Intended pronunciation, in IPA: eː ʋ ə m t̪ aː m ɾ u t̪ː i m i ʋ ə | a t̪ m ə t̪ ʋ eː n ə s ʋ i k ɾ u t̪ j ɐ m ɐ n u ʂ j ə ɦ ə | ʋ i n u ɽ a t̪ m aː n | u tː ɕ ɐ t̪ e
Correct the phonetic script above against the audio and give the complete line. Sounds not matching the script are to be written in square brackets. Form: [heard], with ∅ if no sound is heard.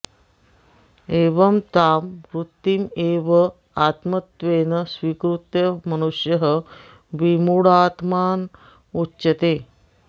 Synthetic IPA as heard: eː ʋ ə m t̪ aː m ɾ u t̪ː i m [e] ʋ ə | a t̪ m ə t̪ ʋ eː n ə s ʋ i k ɾ u t̪ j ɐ m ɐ n u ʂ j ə ɦ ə | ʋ i [m] u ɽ a t̪ m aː n | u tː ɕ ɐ t̪ e